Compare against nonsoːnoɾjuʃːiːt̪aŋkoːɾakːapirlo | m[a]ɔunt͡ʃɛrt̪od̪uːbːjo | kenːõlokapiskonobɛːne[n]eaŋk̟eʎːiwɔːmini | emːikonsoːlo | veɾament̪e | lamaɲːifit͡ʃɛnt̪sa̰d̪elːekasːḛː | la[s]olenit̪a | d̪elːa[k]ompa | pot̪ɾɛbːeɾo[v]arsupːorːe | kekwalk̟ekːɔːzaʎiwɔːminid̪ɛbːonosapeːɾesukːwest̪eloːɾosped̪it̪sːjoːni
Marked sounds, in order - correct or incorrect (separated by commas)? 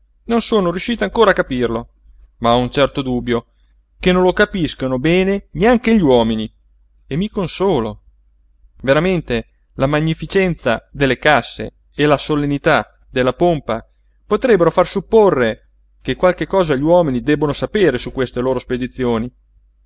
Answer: correct, correct, correct, incorrect, incorrect